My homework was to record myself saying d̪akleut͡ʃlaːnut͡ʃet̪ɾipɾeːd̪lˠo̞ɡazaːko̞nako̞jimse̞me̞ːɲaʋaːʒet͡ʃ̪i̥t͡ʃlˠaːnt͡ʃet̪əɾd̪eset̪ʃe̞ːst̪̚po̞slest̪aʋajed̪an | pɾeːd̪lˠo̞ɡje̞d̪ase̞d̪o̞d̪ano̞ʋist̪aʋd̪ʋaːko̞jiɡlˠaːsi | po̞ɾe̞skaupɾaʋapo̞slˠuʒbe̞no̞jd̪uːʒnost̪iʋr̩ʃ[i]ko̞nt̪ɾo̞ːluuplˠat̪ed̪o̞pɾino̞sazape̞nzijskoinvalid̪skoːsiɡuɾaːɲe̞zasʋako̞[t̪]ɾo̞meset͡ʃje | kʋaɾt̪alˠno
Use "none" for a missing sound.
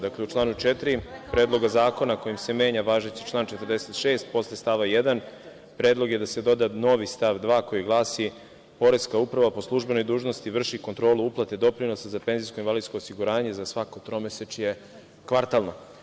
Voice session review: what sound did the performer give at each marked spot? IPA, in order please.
i, t̪

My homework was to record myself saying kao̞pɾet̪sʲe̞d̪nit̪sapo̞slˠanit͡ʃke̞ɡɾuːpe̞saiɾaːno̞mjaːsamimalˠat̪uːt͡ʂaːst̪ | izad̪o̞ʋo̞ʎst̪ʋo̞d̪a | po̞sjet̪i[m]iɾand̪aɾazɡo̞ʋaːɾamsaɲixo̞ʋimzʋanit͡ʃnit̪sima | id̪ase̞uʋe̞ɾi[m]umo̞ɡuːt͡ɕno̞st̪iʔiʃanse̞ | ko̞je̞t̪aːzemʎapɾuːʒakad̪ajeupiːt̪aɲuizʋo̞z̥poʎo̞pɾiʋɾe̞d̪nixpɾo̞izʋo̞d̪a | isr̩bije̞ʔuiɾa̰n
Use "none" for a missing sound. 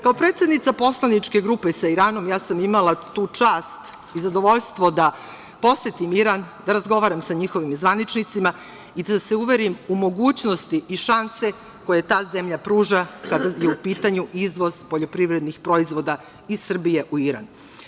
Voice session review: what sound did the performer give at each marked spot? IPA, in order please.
m, m

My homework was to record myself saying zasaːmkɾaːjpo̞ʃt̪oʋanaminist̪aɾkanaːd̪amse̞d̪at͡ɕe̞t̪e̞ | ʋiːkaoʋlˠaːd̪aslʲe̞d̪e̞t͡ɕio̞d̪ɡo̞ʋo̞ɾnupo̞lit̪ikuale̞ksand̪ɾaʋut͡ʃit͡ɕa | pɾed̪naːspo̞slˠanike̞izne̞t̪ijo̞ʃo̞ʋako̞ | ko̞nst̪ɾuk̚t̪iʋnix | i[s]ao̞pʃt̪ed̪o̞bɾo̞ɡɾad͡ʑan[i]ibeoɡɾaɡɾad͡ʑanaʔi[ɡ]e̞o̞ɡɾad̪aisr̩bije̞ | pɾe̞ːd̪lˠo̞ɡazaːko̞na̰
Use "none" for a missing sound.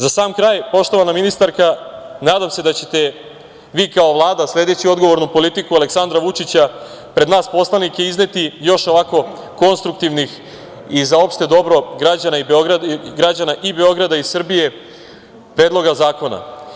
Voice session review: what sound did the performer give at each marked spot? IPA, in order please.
z, a, b

